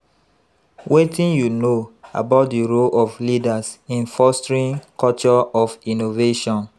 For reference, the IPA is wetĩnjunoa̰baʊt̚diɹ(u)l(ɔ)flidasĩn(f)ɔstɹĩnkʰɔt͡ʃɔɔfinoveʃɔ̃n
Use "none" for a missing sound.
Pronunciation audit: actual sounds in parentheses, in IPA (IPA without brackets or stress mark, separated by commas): o, ɔ, f